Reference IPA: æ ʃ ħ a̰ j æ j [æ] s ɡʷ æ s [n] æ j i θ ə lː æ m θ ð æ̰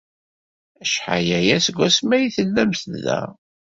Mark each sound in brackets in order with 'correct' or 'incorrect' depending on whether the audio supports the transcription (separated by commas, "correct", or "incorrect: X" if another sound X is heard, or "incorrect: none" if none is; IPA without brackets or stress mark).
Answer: correct, incorrect: m